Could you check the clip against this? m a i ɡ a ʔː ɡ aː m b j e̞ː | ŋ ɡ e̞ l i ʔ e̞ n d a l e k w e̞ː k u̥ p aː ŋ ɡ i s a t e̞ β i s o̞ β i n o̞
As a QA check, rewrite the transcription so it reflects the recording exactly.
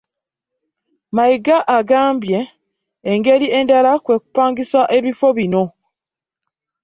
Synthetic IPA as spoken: m a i ɡ a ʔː ɡ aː m b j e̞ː | ŋ ɡ e̞ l i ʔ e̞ n d a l a k w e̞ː k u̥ p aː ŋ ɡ i s a ʔ e̞ β i f o̞ β i n o̞